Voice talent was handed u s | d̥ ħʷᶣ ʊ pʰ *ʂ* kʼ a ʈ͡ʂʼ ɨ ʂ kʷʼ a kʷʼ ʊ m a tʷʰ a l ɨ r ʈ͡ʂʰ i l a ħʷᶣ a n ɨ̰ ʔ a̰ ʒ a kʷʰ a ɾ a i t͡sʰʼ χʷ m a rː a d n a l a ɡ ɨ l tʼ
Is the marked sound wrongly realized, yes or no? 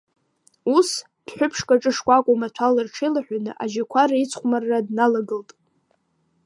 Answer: no